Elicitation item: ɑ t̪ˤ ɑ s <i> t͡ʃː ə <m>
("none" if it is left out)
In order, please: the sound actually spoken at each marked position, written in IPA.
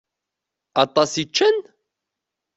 i, n

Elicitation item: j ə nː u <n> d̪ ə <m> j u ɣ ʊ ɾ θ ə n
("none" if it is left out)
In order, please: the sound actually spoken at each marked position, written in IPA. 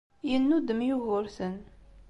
none, m

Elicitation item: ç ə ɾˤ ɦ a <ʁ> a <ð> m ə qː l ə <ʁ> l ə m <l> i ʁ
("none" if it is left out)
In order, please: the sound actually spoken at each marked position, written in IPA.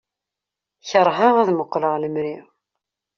ʁ, ð, ʁ, ɾ

